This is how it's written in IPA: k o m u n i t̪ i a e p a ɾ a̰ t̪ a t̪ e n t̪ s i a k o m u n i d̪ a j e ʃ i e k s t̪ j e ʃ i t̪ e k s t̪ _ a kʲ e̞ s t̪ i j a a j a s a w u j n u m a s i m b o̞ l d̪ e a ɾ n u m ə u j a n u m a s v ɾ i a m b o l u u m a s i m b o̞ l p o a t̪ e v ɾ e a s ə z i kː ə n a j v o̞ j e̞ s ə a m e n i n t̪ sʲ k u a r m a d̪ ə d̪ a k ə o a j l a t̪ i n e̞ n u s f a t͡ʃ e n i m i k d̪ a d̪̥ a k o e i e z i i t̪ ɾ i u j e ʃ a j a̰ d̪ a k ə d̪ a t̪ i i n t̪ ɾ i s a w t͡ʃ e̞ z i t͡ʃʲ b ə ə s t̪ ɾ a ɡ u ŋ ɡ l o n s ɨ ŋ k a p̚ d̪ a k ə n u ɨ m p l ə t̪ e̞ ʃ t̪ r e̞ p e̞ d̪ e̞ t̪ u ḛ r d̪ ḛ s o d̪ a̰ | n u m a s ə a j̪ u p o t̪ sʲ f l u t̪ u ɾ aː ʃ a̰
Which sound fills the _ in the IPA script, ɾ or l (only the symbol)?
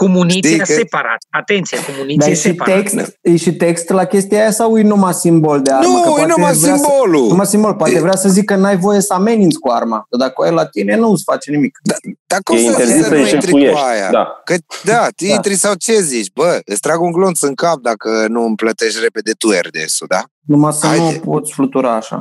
l